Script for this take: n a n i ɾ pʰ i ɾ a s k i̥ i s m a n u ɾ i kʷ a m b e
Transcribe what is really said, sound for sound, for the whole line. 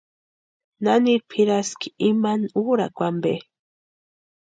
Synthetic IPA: n a n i ɾ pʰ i ɾ a s k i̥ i m a n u ɾ a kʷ a m b e